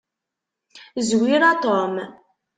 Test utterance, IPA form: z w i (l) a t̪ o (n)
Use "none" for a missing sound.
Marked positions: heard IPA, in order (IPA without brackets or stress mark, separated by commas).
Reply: ɾ, m